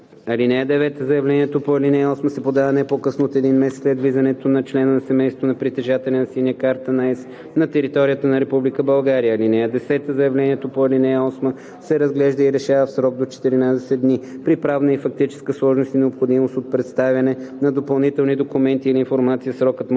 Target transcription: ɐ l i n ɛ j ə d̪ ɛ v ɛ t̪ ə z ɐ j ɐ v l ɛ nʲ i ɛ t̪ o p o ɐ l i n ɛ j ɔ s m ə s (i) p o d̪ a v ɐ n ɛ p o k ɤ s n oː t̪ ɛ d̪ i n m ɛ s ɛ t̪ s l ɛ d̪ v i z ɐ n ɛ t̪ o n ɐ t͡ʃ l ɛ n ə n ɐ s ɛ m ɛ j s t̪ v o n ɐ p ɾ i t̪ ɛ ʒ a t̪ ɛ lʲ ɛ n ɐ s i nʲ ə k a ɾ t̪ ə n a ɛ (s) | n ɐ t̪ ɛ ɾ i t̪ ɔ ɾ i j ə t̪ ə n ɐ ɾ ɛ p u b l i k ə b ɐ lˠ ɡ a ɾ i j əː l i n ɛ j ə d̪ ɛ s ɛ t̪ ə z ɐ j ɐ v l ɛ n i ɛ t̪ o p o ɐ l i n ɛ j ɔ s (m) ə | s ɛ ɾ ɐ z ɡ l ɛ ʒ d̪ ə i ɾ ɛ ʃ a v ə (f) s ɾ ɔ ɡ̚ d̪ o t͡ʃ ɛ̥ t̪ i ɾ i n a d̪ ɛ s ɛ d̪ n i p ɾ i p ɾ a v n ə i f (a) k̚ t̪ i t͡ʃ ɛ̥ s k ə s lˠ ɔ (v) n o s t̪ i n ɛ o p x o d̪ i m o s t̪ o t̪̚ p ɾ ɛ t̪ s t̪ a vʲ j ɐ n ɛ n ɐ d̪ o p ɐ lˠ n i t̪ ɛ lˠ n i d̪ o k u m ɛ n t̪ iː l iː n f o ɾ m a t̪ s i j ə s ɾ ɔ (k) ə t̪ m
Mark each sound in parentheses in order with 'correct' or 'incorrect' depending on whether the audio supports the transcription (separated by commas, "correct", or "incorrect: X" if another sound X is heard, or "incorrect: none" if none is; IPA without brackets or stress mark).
incorrect: ɛ, correct, correct, correct, incorrect: ɐ, incorrect: ʒ, correct